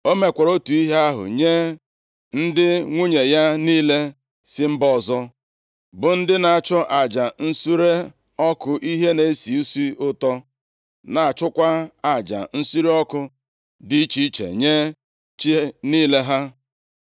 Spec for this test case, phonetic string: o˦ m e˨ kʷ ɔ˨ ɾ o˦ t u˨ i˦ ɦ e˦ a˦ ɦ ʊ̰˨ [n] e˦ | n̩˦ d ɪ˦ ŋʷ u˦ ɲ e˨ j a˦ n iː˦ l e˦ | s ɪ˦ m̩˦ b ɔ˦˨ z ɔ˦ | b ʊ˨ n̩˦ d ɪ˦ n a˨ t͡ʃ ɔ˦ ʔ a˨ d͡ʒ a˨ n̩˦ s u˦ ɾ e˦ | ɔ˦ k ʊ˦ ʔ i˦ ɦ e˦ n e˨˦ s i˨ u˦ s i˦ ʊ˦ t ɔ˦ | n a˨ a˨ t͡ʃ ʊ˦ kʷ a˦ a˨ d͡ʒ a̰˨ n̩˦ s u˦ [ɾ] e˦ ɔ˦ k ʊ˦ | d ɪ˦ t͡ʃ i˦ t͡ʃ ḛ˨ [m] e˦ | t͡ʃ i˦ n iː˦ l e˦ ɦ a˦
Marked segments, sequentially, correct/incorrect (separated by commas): incorrect, correct, incorrect